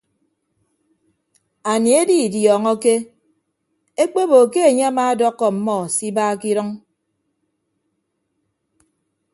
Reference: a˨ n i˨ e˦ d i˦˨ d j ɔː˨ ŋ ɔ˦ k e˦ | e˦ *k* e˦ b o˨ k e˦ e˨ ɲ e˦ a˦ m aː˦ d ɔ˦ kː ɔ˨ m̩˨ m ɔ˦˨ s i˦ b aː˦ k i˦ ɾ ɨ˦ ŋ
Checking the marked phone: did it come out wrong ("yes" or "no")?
yes